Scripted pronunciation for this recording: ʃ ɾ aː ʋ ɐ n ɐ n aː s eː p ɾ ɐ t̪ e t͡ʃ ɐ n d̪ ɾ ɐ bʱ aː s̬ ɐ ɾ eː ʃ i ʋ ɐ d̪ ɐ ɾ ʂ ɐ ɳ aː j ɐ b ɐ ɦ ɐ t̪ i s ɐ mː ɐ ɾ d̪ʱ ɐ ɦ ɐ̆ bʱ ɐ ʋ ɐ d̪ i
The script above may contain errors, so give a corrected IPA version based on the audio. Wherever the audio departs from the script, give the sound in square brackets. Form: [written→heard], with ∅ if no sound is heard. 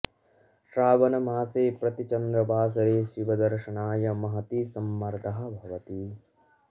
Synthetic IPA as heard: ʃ ɾ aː ʋ ɐ n ɐ [n→m] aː s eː p ɾ ɐ t̪ [e→i] t͡ʃ ɐ n d̪ ɾ ɐ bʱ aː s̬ ɐ ɾ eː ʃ i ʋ ɐ d̪ ɐ ɾ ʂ ɐ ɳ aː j ɐ [b→m] ɐ ɦ ɐ t̪ i s ɐ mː ɐ ɾ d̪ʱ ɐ ɦ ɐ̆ bʱ ɐ ʋ ɐ [d̪→t̪] i

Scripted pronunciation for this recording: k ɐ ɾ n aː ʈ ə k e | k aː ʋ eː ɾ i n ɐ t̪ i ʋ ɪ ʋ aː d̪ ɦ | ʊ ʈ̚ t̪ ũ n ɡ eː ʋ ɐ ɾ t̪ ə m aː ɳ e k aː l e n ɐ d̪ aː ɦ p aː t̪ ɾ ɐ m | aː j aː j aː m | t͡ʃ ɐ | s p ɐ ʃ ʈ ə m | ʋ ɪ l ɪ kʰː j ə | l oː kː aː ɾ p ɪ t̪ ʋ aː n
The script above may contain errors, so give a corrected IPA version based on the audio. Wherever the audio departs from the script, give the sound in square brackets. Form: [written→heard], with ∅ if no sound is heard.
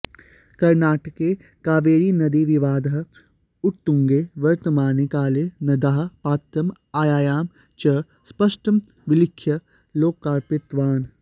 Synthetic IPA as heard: k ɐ ɾ n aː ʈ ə k e | k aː ʋ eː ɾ i n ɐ [t̪→d̪] i ʋ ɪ ʋ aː d̪ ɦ | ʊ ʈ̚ t̪ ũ [n→ŋ] ɡ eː ʋ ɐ ɾ t̪ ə m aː [ɳ→n] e k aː l e n ɐ d̪ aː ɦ p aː t̪ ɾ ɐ m | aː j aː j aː m | t͡ʃ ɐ | s p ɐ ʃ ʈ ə m | ʋ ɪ l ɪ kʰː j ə | l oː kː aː ɾ p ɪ t̪ ʋ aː n

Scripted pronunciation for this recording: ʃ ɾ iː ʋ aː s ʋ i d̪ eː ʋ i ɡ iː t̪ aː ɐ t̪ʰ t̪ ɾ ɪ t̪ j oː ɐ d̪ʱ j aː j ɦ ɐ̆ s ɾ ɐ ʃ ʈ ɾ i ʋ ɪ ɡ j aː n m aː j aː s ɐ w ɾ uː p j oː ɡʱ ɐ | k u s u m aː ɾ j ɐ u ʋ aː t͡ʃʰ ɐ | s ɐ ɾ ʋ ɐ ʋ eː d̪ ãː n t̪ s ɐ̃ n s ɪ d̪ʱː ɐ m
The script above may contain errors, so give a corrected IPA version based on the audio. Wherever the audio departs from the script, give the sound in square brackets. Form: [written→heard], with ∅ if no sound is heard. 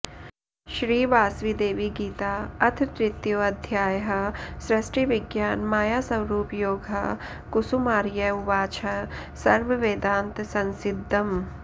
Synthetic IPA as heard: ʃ ɾ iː ʋ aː s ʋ i d̪ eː ʋ i ɡ iː t̪ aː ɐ t̪ʰ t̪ ɾ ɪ t̪ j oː ɐ d̪ʱ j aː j ɦ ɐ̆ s ɾ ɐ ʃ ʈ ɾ i ʋ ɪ ɡ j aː n m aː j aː s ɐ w ɾ uː p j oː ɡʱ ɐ | k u s u m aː ɾ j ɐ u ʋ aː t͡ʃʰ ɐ | s ɐ ɾ ʋ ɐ ʋ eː d̪ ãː n t̪ s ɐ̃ n s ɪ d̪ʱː ɐ m

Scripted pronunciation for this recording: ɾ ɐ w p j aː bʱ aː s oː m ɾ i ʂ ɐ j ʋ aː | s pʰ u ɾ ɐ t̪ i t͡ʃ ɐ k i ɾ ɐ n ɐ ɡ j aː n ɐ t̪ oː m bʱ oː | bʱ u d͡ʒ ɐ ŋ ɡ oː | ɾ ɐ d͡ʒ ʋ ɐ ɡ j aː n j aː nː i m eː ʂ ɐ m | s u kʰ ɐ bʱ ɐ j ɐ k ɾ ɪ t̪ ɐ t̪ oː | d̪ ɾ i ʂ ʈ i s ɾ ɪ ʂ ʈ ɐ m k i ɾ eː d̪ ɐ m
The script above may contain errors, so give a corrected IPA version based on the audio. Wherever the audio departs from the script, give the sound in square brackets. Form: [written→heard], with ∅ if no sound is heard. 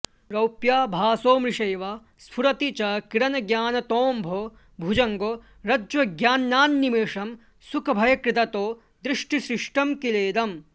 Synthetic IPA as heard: ɾ ɐ w p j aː bʱ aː s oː m ɾ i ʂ ɐ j ʋ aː | s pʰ u ɾ ɐ t̪ i t͡ʃ ɐ k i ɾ ɐ n ɐ ɡ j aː n ɐ t̪ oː m bʱ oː | bʱ u d͡ʒ ɐ ŋ ɡ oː | ɾ ɐ d͡ʒ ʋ ɐ ɡ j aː n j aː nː i m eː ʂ ɐ m | s u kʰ ɐ bʱ ɐ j ɐ k ɾ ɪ t̪ ɐ t̪ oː | d̪ ɾ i ʂ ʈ i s ɾ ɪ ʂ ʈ ɐ m k i [ɾ→l] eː d̪ ɐ m

